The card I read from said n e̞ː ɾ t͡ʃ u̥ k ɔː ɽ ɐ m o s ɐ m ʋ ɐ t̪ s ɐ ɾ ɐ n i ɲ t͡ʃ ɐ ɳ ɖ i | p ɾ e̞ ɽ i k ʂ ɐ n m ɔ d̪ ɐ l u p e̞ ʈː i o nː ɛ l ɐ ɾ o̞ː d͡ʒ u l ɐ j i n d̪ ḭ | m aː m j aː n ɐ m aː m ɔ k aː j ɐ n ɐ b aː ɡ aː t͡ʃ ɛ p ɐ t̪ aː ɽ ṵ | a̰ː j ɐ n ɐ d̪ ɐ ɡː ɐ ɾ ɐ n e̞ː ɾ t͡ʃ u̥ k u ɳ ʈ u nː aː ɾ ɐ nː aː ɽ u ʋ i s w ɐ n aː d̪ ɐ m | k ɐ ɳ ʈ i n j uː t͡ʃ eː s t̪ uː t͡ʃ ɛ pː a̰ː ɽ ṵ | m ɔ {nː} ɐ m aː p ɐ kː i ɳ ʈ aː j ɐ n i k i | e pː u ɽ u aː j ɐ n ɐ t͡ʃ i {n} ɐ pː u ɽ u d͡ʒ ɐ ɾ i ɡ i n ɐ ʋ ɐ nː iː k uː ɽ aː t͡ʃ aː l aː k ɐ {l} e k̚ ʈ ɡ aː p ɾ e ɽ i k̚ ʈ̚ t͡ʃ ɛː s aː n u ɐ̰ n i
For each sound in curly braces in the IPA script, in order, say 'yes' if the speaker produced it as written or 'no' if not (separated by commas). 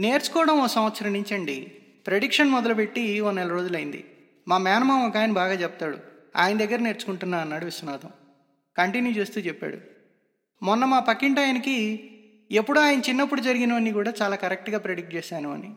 yes, no, no